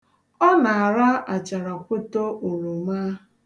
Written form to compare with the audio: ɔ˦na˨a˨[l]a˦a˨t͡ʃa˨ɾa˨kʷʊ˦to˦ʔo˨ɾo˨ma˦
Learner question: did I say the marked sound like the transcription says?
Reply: no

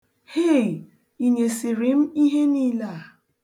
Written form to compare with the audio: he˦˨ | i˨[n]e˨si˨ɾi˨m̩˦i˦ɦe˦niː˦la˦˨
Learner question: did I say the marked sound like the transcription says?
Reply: no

